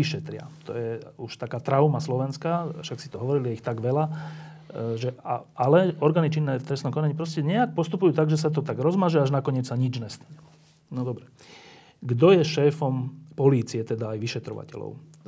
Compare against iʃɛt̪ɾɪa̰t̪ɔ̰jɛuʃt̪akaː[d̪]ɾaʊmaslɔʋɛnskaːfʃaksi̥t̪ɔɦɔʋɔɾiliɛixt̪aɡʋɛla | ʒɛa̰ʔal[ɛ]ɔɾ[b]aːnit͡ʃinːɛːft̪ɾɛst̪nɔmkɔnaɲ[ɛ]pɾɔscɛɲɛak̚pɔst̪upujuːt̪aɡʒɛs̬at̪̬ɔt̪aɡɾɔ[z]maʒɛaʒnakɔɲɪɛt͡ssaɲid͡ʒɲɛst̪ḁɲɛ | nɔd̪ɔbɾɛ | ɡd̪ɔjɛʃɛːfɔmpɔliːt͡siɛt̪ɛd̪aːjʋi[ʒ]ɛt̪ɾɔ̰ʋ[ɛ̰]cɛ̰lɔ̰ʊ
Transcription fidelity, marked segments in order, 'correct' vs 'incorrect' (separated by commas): incorrect, correct, incorrect, incorrect, correct, incorrect, incorrect